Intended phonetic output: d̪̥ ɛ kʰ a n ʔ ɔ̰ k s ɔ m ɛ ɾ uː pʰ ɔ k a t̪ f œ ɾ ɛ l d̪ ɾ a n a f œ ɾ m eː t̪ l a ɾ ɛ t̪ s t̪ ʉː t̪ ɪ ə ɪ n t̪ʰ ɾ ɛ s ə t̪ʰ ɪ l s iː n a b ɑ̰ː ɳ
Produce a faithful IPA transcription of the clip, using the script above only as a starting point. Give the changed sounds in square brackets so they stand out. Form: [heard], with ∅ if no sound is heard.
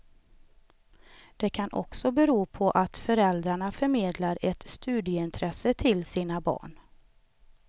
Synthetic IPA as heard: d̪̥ ɛ kʰ a n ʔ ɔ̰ k s ɔ [b] ɛ ɾ uː pʰ ɔ [ʔ] a t̪ f œ ɾ ɛ l d̪ ɾ a [ɳ] a f œ ɾ m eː [d̪] l a ɾ ɛ t̪ s t̪ ʉː [d̪] ɪ ə ɪ n t̪ʰ ɾ ɛ s ə t̪ʰ ɪ l s iː n a b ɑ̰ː ɳ